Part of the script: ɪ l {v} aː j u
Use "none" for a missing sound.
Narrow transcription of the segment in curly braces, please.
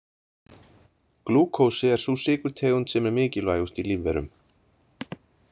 v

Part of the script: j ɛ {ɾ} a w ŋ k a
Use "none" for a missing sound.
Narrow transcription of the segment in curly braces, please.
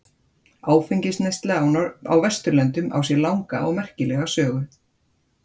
l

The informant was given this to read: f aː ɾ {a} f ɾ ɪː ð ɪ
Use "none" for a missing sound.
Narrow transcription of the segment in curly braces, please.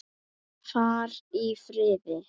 i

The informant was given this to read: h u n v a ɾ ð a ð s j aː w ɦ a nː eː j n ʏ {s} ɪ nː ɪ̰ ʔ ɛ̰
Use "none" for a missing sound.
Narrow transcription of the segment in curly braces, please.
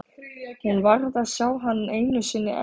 s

